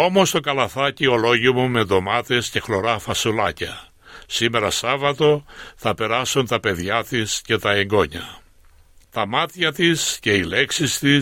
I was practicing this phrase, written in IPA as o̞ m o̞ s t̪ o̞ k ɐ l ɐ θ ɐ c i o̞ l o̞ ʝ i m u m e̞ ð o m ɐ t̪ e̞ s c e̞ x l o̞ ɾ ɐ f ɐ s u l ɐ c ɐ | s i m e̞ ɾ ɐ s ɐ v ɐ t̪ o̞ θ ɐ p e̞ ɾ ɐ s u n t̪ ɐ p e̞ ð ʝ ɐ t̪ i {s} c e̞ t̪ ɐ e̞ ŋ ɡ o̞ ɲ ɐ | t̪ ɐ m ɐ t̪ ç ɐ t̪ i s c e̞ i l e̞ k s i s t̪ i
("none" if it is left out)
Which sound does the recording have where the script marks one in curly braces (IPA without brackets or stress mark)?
s